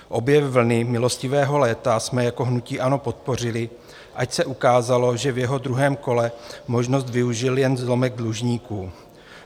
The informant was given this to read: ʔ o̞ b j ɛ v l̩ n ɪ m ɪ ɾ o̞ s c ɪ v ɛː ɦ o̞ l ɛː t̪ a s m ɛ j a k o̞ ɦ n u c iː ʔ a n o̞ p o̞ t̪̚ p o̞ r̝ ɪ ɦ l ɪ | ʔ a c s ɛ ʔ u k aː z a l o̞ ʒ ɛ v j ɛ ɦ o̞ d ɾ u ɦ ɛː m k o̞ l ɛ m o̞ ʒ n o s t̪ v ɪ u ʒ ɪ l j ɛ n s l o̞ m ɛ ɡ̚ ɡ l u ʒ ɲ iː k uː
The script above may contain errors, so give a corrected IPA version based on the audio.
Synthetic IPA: ʔ o̞ b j ɛ v l̩ n ɪ m ɪ l o̞ s c ɪ v ɛː ɦ o̞ l ɛː t̪ a s m ɛ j a k o̞ ɦ n u c iː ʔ a n o̞ p o̞ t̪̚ p o̞ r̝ ɪ l ɪ | ʔ a c s ɛ ʔ u k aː z a l o̞ ʒ ɛ v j ɛ ɦ o̞ d ɾ u ɦ ɛː m k o̞ l ɛ m o̞ ʒ n o s t̪ v ɪ u ʒ ɪ l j ɛ n z l o̞ m ɛ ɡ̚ d l u ʒ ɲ iː k uː